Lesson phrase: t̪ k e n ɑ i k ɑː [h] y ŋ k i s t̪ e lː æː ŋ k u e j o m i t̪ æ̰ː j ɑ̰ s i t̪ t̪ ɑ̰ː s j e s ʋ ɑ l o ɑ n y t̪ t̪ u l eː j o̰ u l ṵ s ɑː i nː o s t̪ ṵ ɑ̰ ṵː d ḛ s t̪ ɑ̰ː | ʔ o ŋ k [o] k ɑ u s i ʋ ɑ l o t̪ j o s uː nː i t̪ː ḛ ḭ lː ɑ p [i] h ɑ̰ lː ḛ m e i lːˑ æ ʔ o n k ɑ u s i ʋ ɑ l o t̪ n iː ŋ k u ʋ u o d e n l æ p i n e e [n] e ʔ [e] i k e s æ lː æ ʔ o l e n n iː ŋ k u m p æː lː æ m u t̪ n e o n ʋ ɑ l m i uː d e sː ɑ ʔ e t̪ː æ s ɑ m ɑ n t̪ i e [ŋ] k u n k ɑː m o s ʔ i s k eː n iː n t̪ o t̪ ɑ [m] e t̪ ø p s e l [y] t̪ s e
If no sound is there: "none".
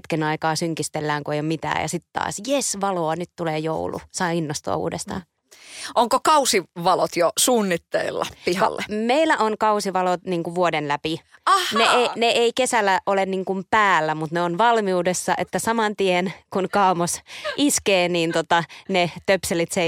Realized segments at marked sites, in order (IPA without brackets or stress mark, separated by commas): s, o, i, n, e, n, n, i